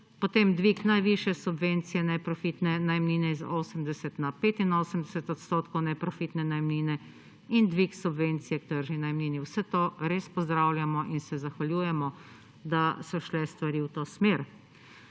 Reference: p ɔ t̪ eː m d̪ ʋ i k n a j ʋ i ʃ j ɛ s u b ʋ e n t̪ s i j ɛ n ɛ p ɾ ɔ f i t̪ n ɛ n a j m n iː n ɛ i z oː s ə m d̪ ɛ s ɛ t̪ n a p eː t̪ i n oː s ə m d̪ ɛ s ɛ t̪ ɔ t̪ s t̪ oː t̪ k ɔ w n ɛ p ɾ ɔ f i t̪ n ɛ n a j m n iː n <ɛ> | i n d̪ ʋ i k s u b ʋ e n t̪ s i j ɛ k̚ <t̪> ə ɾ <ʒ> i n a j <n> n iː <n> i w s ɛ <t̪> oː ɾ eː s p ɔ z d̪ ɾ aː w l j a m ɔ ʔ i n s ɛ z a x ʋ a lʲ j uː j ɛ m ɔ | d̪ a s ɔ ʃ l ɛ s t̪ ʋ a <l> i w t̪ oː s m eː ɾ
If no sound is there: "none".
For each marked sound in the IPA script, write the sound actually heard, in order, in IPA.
ɛ, t̪, ʒ, m, n, t̪, ɾ

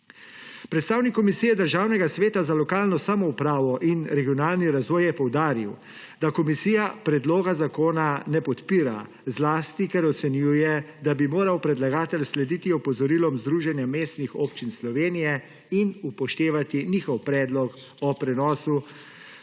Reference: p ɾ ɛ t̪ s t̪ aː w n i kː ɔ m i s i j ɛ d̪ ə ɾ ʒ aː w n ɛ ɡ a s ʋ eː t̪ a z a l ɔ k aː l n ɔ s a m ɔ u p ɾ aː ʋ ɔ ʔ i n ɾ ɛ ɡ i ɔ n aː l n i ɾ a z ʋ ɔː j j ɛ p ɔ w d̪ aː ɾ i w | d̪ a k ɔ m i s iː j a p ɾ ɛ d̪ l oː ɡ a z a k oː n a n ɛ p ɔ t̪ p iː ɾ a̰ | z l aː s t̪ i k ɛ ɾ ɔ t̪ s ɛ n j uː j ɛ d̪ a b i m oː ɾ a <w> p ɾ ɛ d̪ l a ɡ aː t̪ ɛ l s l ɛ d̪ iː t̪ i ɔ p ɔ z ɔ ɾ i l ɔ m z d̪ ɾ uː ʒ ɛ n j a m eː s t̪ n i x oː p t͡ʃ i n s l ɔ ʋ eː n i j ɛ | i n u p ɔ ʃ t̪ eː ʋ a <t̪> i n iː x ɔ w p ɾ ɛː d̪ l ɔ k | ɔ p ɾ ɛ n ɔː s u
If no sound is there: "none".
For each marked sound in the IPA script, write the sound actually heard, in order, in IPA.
w, t̪

